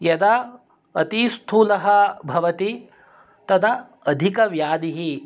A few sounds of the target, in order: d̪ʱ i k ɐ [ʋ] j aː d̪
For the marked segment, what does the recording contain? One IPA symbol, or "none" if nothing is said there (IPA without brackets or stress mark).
ʋ